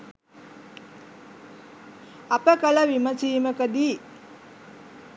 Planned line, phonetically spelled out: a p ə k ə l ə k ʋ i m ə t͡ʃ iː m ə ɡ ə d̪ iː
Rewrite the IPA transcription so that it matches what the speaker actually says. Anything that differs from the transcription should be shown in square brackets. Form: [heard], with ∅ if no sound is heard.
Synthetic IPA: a p ə k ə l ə [∅] ʋ i m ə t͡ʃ iː m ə [k] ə d̪ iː